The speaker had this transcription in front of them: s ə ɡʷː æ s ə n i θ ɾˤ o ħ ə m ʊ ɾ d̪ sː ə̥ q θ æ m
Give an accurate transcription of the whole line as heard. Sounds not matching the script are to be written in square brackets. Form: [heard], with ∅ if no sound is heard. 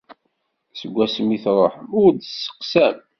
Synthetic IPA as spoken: s ə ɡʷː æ s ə [m] i θ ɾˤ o ħ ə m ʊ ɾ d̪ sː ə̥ q [s] æ m